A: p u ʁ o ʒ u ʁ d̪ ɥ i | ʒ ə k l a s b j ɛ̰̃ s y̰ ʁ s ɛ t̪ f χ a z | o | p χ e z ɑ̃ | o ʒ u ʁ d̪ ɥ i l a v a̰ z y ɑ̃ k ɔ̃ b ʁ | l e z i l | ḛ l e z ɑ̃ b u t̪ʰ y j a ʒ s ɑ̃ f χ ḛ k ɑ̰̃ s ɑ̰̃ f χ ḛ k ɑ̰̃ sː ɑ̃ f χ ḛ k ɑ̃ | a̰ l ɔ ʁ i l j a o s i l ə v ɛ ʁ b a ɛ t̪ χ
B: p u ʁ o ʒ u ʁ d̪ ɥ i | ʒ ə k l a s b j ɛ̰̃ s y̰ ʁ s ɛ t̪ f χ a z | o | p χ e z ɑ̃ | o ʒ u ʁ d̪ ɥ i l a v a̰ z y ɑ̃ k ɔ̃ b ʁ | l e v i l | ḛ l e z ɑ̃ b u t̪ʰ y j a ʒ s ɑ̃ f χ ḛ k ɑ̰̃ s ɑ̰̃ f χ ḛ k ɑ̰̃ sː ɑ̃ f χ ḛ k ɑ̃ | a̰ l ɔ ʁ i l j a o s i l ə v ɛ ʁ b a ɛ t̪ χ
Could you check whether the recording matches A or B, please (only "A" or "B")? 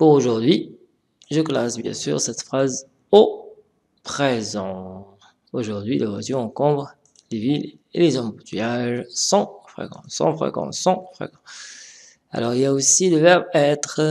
B